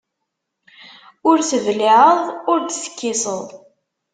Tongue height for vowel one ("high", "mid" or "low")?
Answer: high